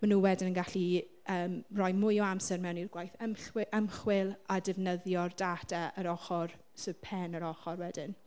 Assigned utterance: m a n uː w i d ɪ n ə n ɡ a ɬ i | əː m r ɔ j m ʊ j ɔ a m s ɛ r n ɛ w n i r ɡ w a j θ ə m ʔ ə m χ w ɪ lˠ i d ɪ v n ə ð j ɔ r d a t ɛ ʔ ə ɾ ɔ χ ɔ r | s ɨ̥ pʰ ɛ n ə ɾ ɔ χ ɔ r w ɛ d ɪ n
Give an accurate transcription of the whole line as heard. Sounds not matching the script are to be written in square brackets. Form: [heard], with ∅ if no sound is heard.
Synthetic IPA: m a n uː w [ɛ] d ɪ n ə n ɡ a ɬ i | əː m r ɔ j m ʊ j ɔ a m s ɛ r [m] ɛ w n i r ɡ w a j θ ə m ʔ ə m χ w ɪ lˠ [a] d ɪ v n ə ð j ɔ r d a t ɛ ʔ ə ɾ ɔ χ ɔ r | s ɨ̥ pʰ ɛ n ə ɾ ɔ χ ɔ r w ɛ d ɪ n